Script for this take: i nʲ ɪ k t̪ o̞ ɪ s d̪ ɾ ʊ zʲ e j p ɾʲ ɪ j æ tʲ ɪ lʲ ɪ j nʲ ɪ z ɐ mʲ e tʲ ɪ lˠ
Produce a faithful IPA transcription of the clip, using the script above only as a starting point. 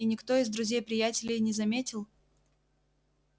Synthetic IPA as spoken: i nʲ ɪ k t̪ o̞ ɪ z d̪ ɾ ʊ zʲ e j p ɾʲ ɪ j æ tʲ ɪ lʲ ɪ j nʲ ɪ z ɐ mʲ e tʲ ɪ lˠ